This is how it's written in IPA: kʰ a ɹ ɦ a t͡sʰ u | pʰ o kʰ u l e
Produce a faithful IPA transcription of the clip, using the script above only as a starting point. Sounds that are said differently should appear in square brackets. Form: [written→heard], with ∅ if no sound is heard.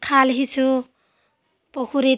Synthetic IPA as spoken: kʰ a [ɹ→l] ɦ [a→i] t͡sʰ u | [pʰ→p] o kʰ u [l→ɾ] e